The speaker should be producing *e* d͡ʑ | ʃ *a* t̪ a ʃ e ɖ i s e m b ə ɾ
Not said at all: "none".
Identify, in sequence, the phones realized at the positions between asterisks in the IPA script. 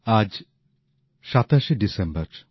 a, a

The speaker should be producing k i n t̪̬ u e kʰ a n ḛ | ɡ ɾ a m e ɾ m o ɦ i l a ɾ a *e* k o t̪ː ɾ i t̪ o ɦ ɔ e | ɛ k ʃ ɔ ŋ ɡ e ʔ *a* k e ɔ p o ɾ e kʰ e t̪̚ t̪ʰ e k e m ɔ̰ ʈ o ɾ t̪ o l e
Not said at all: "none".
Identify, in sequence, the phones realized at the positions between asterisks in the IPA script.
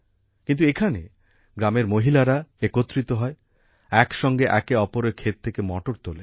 e, ɛ

